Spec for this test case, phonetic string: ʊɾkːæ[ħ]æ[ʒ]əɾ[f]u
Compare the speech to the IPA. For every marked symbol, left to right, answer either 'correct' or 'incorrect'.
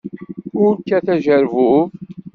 incorrect: θ, correct, incorrect: v

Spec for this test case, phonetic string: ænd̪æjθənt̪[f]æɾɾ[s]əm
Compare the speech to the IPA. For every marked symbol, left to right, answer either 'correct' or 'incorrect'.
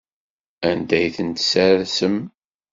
incorrect: s, correct

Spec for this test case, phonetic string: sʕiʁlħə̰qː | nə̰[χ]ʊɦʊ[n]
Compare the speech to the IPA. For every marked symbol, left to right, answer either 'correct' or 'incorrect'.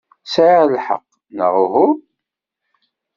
incorrect: ʁ, incorrect: none

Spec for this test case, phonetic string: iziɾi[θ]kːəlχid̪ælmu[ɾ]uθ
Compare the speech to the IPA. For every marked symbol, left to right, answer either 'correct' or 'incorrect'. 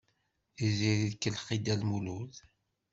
incorrect: ð, incorrect: l

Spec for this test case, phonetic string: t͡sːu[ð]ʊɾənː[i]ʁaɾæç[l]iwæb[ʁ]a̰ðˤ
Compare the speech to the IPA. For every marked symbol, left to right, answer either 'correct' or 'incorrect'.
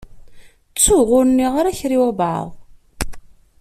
incorrect: ʁ, correct, incorrect: ɾ, incorrect: ʕ

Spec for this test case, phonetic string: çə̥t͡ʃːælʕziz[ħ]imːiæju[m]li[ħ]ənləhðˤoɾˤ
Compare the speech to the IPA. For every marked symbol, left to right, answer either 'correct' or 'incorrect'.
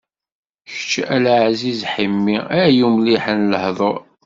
correct, correct, correct

